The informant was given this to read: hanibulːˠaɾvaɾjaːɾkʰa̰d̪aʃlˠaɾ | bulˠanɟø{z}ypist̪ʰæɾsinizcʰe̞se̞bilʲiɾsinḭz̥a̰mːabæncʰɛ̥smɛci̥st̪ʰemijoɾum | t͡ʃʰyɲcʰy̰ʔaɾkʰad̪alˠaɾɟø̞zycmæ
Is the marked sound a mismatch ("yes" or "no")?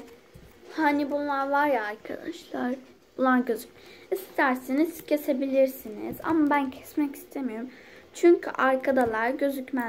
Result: no